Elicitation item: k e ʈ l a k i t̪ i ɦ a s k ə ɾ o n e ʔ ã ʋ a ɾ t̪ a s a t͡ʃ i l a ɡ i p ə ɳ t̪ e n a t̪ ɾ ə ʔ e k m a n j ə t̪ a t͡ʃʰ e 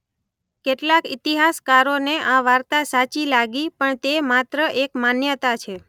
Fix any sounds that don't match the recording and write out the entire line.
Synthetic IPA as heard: k e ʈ l a k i t̪ i ɦ a s k a ɾ o n e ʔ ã ʋ a ɾ t̪ a s a t͡ʃ i l a ɡ i p ə ɳ t̪ e m a t̪ ɾ ə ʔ e k m a n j ə t̪ a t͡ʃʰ e